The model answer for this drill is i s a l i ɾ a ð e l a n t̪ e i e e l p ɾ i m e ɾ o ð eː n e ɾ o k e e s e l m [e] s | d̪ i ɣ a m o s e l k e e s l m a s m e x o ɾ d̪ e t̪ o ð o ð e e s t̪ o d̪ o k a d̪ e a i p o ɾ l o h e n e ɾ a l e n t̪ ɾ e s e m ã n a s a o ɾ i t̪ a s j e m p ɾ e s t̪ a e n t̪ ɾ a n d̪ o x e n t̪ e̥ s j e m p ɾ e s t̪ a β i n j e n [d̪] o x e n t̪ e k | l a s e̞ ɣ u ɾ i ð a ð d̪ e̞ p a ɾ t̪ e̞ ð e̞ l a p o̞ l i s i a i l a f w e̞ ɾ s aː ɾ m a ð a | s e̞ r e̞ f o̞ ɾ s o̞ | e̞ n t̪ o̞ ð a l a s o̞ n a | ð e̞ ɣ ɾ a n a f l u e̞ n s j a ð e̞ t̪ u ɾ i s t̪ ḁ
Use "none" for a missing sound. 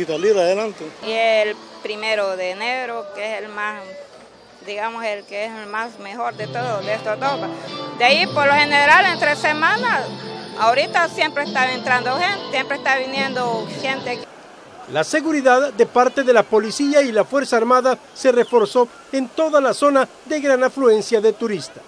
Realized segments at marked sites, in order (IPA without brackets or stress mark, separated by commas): a, d̪